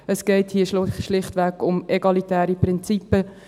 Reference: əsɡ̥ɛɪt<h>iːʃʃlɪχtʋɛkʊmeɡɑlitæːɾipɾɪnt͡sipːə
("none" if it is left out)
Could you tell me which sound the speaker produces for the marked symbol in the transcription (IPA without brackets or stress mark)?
h